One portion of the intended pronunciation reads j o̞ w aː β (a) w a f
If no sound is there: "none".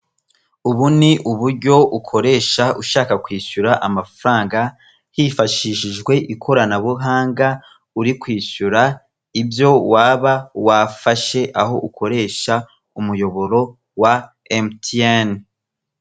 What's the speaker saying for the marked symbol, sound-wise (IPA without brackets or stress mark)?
a